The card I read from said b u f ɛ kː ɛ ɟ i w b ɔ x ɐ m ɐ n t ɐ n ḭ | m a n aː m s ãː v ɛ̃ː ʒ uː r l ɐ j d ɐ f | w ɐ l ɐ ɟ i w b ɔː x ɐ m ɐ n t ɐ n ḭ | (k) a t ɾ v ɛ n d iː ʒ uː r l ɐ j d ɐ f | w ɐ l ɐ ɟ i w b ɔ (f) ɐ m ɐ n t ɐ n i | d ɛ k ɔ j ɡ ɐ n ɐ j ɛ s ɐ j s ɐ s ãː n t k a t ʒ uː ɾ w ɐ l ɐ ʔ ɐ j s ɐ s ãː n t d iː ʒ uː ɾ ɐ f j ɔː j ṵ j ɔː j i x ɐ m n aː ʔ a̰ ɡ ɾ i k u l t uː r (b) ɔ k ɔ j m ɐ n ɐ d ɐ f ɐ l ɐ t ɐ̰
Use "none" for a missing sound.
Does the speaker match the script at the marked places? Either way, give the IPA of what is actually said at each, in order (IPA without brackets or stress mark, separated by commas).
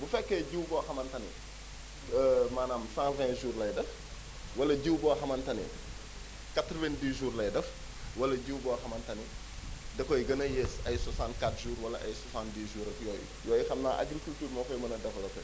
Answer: k, x, m